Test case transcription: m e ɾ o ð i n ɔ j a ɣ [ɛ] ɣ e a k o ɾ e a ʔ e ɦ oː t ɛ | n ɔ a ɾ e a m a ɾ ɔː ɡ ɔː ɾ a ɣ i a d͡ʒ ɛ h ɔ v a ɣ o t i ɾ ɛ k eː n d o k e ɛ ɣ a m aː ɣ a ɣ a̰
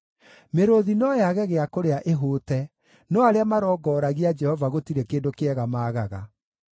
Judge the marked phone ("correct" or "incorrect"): correct